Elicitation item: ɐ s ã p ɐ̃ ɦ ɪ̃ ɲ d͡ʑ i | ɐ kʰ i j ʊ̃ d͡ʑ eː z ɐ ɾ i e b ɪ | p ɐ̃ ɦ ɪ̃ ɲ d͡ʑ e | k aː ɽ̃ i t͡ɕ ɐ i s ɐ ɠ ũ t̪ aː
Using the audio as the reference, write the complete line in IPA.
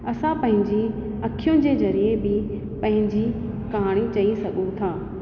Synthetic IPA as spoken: ɐ s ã p ɐ̃ ɦ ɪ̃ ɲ d͡ʑ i | ɐ kʰ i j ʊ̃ d͡ʑ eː z ɐ ɾ i e b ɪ | p ɐ̃ ɦ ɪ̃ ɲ d͡ʑ i | k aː ɽ̃ i t͡ɕ ɐ i s ɐ ɠ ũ t̪ʰ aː